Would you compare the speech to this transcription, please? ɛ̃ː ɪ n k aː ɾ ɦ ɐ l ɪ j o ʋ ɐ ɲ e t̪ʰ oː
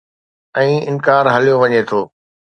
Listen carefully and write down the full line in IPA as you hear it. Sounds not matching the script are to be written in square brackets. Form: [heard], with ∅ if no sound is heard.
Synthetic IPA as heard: ɛ̃ː ɪ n k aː ɾ ɦ ɐ l [i] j o ʋ ɐ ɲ e t̪ʰ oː

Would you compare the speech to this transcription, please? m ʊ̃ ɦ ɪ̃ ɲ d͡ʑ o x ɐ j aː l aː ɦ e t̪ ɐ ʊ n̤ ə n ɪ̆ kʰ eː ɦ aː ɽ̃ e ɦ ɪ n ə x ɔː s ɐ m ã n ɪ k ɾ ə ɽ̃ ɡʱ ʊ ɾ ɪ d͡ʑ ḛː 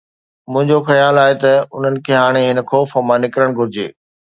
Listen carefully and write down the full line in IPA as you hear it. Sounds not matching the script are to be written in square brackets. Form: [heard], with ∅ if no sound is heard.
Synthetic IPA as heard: m ʊ̃ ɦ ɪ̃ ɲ d͡ʑ o x ɐ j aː l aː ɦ e t̪ ɐ ʊ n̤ ə n ɪ̆ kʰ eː ɦ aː ɽ̃ e ɦ ɪ n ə x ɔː [f] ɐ m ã n ɪ k ɾ ə ɽ̃ ɡʱ ʊ ɾ ɪ d͡ʑ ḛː

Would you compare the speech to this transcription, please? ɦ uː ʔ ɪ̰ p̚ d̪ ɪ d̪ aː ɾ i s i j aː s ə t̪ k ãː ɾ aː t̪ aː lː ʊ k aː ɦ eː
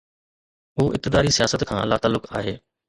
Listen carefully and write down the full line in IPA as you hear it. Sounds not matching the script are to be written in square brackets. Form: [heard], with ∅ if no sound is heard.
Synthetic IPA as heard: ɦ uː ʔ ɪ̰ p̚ [t̪] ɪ d̪ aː ɾ i s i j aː s ə t̪ [kʰ] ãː [l] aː t̪ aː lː ʊ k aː ɦ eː

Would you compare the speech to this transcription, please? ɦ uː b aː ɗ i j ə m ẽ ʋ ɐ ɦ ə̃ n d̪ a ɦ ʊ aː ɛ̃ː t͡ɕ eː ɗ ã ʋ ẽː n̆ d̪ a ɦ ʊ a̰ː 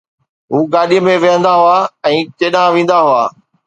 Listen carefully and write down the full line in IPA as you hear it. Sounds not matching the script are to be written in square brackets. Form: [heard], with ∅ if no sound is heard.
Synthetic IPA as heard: ɦ uː [ɡ] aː ɗ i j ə m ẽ ʋ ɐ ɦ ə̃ n d̪ a ɦ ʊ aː ɛ̃ː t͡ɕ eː ɗ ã ʋ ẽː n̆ d̪ a ɦ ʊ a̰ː

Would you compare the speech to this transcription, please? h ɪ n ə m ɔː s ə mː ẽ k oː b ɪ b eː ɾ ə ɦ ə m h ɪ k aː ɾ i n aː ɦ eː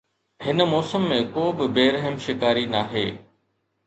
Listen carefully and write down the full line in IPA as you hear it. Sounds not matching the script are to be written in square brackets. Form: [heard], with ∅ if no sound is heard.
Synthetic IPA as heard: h ɪ n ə m ɔː s ə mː ẽ k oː b ɪ b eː ɾ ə ɦ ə m [ʃ] ɪ k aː ɾ i n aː ɦ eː

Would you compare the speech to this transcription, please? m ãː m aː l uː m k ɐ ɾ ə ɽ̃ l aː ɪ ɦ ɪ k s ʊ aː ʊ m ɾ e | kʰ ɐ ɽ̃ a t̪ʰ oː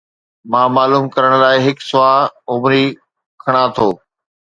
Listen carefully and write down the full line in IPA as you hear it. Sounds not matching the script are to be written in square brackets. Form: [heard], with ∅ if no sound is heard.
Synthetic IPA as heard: m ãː m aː l uː m k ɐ ɾ ə ɽ̃ l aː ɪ ɦ ɪ k s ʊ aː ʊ m ɾ [i] | kʰ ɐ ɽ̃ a t̪ʰ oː

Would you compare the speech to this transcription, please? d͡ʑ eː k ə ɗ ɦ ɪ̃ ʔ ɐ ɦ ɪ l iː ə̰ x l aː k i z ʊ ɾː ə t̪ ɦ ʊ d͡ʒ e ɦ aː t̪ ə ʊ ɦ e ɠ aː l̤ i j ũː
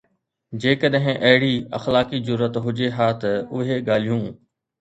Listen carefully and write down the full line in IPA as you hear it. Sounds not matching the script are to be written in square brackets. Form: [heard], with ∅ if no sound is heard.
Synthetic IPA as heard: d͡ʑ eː k ə ɗ ɦ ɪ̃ ʔ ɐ ɦ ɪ [ɽ] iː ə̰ x l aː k i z ʊ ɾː ə t̪ ɦ ʊ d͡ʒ e ɦ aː t̪ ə ʊ ɦ e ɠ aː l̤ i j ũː

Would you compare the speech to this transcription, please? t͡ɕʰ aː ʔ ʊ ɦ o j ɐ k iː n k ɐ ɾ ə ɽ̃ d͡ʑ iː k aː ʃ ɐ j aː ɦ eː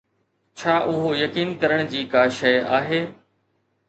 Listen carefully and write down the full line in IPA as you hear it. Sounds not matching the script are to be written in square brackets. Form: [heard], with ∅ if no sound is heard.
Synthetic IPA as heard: t͡ɕʰ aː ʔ ʊ ɦ o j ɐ k iː n k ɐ ɾ ə ɽ̃ d͡ʑ iː k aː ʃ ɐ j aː ɦ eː

